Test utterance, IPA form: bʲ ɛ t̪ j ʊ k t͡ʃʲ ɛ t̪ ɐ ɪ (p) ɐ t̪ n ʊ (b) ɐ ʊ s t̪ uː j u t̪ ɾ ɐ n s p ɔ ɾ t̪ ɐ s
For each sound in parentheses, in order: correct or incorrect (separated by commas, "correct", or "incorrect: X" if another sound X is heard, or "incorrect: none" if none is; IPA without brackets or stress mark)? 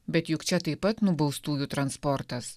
correct, correct